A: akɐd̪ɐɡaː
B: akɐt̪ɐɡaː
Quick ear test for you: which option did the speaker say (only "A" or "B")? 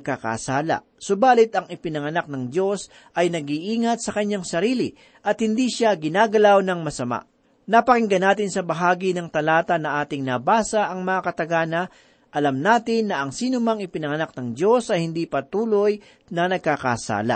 B